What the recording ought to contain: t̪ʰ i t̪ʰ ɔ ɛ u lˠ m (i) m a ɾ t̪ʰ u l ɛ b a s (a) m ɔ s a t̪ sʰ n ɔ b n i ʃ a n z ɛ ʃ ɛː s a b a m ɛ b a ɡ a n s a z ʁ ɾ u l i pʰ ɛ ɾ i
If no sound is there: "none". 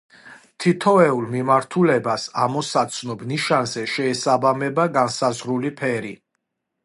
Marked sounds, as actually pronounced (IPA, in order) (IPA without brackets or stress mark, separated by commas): i, a